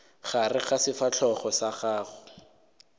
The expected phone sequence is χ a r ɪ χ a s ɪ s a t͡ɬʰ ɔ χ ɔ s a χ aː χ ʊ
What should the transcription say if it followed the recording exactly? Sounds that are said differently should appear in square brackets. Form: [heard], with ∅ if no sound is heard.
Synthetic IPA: χ a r ɪ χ a s ɪ [f] a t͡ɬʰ ɔ χ ɔ s a χ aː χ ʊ